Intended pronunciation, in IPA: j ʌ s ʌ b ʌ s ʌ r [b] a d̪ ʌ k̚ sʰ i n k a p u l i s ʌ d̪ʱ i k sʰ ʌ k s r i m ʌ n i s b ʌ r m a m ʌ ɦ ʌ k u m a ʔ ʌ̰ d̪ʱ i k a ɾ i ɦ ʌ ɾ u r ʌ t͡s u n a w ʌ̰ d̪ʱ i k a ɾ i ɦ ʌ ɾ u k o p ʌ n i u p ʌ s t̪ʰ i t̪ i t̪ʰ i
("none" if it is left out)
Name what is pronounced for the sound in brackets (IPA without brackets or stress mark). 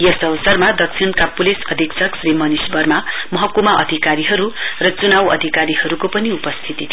m